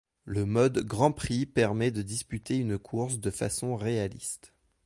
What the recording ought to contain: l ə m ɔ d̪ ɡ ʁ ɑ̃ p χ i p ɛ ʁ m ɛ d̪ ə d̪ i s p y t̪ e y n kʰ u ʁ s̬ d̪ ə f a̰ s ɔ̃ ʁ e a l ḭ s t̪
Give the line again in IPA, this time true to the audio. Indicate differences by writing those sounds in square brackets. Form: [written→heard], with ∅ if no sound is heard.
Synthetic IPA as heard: l ə m ɔ d̪ ɡ ʁ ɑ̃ p χ i p ɛ ʁ m ɛ d̪ ə d̪ i s p y t̪ e y n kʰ u ʁ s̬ d̪ ə f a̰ s ɔ̃ ʁ e a l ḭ s t̪